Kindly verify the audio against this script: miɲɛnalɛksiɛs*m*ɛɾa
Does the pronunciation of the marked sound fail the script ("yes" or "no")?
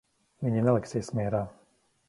no